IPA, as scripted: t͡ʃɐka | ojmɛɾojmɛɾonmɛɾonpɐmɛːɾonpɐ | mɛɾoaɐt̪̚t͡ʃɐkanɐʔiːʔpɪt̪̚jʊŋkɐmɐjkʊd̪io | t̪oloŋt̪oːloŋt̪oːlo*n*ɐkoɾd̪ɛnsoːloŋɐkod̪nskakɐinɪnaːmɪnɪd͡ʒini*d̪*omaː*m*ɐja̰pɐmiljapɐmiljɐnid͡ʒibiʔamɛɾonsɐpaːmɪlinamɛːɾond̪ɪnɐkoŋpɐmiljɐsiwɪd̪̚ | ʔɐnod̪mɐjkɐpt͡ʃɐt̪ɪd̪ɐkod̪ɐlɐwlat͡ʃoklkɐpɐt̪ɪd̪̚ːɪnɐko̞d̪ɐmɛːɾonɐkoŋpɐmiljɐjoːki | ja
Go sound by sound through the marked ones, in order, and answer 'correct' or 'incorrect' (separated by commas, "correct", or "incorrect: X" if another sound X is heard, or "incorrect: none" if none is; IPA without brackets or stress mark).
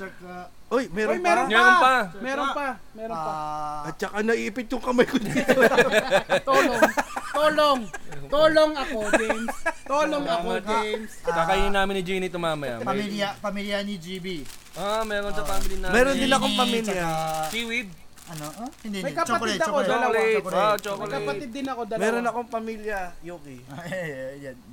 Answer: incorrect: ŋ, incorrect: t̪, correct